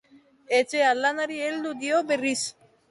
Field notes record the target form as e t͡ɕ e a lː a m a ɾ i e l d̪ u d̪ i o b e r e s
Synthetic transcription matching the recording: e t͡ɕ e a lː a n a ɾ i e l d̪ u d̪ i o b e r i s

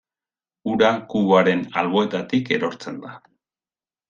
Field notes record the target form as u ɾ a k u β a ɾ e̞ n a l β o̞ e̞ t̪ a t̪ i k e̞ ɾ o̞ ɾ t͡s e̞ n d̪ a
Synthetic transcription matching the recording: u ɾ a k u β a ɾ e̞ n a l β o̞ e̞ t̪ a t̪ i k e̞ ɾ o̞ ɾ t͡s e̞ n d̪ a

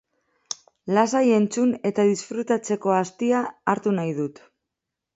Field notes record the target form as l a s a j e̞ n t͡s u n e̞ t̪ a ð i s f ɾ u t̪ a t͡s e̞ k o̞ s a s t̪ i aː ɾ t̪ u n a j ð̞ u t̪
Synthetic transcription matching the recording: l a s a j e̞ n t͡s u n e̞ t̪ a ð i s f ɾ u t̪ a t͡s e̞ k o̞ a s t̪ i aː ɾ t̪ u n a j ð̞ u t̪

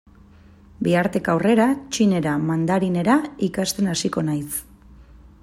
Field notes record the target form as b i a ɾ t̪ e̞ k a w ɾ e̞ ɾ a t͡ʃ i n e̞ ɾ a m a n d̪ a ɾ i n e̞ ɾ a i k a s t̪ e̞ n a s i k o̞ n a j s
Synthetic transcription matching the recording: b i a ɾ t̪ e̞ k a w r e̞ ɾ a t͡ʃ i n e̞ ɾ a m a n d̪ a ɾ i n e̞ ɾ a i k a s t̪ e̞ n a s i k o̞ n a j s

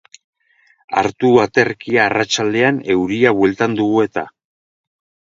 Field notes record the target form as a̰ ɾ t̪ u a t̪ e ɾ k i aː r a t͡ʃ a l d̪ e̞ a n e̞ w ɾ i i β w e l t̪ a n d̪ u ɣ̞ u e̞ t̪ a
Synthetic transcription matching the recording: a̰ ɾ t̪ u a t̪ e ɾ k i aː r a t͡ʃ a l d̪ e̞ a n e̞ w ɾ i a β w e l t̪ a n d̪ u ɣ̞ u e̞ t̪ a

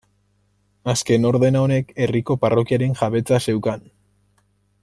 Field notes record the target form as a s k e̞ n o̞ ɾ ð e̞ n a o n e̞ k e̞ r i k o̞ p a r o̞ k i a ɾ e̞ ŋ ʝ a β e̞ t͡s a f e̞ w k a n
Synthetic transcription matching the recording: a s k e̞ n o̞ ɾ ð e̞ n a o n e̞ k e̞ r i k o̞ p a r o̞ k i a ɾ e̞ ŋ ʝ a β e̞ t͡s a s e̞ w k a n

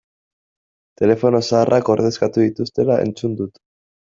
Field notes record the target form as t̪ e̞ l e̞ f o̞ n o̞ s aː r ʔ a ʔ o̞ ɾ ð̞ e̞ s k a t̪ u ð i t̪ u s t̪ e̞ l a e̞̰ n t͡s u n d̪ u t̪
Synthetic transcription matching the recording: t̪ e̞ l e̞ f o̞ n o̞ s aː r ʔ a k o̞ ɾ ð̞ e̞ s k a t̪ u ð i t̪ u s t̪ e̞ l a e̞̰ n t͡s u n d̪ u t̪

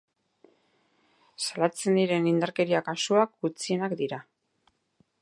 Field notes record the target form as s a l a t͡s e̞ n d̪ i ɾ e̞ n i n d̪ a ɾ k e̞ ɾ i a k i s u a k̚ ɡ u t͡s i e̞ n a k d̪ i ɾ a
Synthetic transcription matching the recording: s a l a t͡s e̞ n d̪ i ɾ e̞ n i n d̪ a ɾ k e̞ ɾ i a k a s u a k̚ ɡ u t͡s i e̞ n a k d̪ i ɾ a

